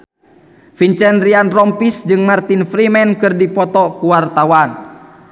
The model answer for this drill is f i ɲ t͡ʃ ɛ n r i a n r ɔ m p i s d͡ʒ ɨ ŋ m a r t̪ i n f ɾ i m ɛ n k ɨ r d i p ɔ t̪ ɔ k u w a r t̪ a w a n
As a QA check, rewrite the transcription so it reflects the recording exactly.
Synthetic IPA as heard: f i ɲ t͡ʃ ɛ n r i a n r ɔ m p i s d͡ʒ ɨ ŋ m a r t̪ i n f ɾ i m ɛ n k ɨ r d i p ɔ t̪ ɔ k u w a r t̪ a w a n